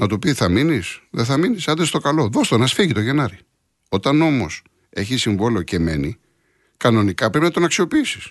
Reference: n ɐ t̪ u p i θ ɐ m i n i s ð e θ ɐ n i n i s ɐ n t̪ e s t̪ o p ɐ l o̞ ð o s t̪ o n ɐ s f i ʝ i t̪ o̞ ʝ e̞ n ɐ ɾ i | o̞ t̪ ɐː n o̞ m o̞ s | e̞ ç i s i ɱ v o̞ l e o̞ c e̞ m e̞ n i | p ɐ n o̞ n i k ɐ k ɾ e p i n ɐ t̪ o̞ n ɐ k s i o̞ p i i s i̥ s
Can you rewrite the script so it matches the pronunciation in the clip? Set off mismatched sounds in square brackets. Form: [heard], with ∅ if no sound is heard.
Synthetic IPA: n ɐ t̪ u p i θ ɐ m i n i s ð e θ ɐ [m] i n i s ɐ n [d̪] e s t̪ o [k] ɐ l o̞ ð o s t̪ o n ɐ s f i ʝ i t̪ o̞ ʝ e̞ n ɐ ɾ i | o̞ t̪ [ɐ] n o̞ m o̞ s | e̞ ç i s i ɱ v o̞ l e o̞ c e̞ m e̞ n i | [k] ɐ n o̞ n i k ɐ [p] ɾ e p i n ɐ t̪ o̞ n ɐ k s i o̞ p i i s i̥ s